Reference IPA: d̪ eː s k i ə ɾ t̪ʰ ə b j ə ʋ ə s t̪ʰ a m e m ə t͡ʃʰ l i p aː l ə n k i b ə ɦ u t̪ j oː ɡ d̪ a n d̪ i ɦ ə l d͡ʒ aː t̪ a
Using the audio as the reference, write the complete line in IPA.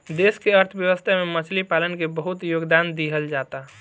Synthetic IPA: d̪ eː s k e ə ɾ t̪ʰ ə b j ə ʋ ə s t̪ʰ a m e m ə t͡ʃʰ l i p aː l ə n k e b ə ɦ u t̪ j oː ɡ d̪ a n d̪ i ɦ ə l d͡ʒ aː t̪ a